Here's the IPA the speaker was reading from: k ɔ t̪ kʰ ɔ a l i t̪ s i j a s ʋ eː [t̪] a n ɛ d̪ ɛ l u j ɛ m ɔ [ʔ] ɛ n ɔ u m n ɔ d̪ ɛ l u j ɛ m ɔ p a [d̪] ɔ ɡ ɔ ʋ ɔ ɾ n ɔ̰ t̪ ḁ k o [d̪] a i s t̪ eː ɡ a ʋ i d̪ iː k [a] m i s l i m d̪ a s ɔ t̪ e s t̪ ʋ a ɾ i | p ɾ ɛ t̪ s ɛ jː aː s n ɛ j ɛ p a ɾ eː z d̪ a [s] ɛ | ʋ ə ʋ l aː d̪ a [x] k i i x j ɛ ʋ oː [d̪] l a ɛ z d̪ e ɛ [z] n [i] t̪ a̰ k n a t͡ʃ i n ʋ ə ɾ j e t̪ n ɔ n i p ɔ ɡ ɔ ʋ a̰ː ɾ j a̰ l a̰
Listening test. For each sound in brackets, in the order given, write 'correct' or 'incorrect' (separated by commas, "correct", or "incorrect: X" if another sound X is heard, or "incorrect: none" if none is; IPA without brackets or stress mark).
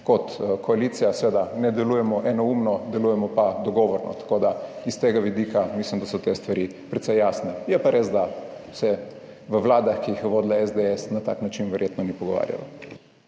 incorrect: d̪, correct, correct, correct, correct, correct, correct, correct, incorrect: s, incorrect: a